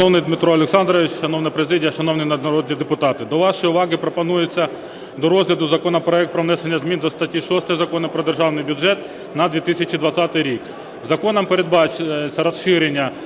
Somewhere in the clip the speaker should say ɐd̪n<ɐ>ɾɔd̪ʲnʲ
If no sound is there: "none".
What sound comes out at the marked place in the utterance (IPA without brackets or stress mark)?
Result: ɐ